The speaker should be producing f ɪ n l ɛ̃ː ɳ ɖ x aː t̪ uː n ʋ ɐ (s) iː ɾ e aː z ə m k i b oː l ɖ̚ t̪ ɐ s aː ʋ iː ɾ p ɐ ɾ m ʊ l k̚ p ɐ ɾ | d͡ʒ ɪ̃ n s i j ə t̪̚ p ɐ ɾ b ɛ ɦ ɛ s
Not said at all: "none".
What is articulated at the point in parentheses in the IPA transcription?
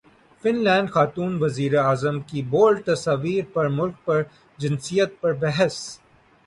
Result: z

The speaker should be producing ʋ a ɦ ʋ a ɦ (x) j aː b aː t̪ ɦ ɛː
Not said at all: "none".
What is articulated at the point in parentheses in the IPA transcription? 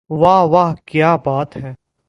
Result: k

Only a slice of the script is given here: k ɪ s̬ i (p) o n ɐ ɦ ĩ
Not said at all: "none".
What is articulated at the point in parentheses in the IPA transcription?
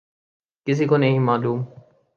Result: k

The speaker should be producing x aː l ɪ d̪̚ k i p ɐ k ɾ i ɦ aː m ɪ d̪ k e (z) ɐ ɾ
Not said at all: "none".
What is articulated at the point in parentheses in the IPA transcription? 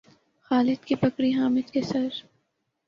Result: s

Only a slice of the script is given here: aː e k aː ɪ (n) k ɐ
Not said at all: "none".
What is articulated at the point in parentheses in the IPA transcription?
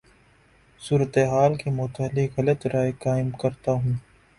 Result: m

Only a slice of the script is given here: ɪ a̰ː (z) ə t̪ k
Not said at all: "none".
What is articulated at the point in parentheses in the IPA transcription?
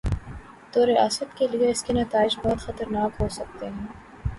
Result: s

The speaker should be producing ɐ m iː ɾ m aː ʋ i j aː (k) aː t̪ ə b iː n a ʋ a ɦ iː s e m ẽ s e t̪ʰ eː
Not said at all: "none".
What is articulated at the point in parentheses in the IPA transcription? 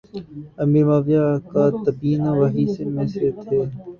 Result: k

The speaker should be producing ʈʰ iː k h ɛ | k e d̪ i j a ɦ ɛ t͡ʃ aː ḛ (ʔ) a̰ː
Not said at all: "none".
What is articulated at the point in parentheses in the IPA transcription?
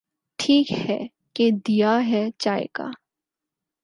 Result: k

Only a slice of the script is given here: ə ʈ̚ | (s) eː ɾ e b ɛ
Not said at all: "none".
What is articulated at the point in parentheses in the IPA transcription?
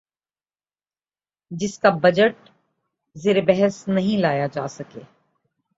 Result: z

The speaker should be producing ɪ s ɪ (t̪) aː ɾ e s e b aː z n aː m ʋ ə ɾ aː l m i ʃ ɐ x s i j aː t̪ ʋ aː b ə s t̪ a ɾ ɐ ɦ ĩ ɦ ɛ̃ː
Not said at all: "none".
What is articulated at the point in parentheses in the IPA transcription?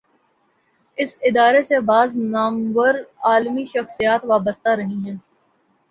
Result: d̪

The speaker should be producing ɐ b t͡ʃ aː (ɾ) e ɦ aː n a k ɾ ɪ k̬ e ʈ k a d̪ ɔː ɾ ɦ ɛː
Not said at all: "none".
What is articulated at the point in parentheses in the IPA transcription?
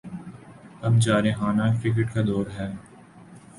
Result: ɾ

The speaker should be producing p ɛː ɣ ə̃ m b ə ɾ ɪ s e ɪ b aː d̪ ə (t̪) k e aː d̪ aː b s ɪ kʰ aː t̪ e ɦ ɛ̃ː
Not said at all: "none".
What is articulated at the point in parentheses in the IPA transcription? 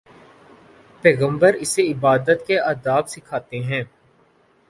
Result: t̪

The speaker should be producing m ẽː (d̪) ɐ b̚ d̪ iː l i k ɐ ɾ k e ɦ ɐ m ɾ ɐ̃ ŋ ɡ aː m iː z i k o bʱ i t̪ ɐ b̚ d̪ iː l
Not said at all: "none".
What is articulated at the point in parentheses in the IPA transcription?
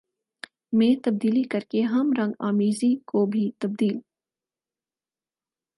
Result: t̪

